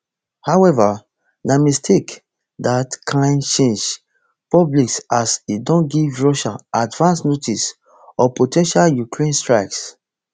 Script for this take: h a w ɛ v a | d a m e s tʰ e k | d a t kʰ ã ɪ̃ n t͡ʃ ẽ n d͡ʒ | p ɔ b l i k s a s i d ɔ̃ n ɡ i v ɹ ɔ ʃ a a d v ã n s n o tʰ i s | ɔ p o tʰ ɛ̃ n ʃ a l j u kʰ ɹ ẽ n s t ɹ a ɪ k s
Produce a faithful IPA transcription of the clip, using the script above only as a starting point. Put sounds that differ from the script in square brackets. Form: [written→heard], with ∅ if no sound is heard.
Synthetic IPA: h a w ɛ v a | [d→n] a m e s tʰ e k | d a t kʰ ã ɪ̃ n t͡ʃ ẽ n d͡ʒ | p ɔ b l i k s a s i d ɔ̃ n ɡ i v ɹ ɔ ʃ a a d v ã n s n o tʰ i s | ɔ p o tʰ ɛ̃ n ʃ a l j u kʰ ɹ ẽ n s t ɹ a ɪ k s

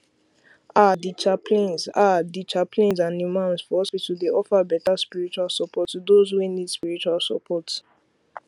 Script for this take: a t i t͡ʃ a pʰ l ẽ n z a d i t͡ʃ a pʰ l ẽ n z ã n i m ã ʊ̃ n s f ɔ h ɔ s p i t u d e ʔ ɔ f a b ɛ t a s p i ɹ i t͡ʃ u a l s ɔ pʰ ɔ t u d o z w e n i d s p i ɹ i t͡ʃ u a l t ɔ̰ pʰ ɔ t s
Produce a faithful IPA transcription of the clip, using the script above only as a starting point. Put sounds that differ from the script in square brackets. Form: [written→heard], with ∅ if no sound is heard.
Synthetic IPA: a [t→d] i t͡ʃ a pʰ l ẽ n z a d i t͡ʃ a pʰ l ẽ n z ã n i m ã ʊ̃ n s f ɔ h ɔ s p i t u d e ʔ ɔ f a b ɛ t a s p i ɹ i t͡ʃ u a l s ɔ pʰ ɔ t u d o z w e n i d s p i ɹ i t͡ʃ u a l [t→s] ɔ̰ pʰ ɔ t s

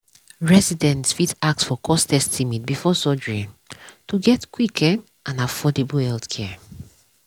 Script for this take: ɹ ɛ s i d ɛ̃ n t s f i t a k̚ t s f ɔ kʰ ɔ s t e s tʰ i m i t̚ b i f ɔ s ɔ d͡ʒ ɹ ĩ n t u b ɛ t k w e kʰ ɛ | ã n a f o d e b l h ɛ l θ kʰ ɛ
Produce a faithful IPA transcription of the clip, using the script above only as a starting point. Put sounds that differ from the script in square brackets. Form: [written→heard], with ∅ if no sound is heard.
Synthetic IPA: ɹ ɛ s i d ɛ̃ n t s f i t a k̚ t s f ɔ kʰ ɔ s t [e→ɛ] s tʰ i m i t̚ b i f ɔ s ɔ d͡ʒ ɹ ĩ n t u [b→ɡ] ɛ t k w [e→i] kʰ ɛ | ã n a f [o→ɔ] d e b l h ɛ l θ kʰ ɛ

